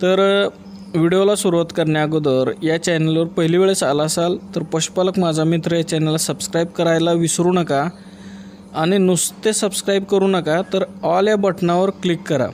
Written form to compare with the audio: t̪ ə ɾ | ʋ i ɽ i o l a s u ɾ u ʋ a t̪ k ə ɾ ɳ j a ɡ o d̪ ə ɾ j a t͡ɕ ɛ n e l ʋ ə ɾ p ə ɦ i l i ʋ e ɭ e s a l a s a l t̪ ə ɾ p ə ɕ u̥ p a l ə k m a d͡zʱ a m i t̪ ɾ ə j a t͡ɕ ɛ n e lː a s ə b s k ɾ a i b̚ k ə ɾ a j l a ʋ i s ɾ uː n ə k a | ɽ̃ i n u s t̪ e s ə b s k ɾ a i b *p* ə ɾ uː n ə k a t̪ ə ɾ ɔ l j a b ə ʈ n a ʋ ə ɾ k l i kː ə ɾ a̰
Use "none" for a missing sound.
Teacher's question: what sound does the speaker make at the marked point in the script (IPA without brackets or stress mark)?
k